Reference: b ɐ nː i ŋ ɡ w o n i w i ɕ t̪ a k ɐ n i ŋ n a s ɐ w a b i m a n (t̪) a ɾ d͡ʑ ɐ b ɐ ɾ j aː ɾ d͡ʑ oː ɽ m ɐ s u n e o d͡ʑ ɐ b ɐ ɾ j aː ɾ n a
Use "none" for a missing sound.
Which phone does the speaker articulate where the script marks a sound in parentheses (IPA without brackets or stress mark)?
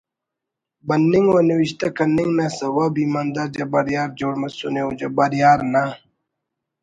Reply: d̪